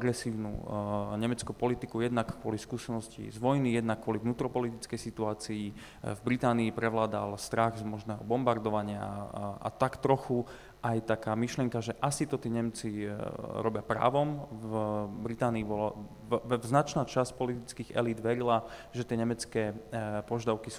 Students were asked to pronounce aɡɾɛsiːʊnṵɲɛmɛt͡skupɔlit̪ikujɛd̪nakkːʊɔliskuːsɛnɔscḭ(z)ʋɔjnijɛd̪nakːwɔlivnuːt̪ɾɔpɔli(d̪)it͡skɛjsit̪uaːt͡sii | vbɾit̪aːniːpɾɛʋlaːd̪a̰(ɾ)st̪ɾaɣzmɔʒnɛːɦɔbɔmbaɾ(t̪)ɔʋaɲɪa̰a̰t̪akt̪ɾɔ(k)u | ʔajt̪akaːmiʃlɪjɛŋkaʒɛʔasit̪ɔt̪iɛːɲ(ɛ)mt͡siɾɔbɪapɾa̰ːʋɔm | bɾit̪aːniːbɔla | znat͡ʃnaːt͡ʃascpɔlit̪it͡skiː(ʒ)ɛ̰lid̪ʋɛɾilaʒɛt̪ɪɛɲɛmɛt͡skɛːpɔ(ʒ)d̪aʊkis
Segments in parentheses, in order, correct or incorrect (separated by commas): correct, incorrect, incorrect, incorrect, incorrect, correct, incorrect, correct